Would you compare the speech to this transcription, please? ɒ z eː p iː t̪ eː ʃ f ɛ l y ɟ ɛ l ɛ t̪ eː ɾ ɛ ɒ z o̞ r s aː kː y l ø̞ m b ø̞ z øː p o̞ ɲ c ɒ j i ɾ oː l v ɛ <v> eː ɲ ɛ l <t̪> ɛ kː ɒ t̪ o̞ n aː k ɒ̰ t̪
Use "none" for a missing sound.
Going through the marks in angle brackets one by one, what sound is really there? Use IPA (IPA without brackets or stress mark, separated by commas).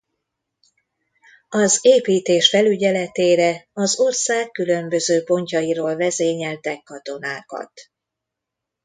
z, t̪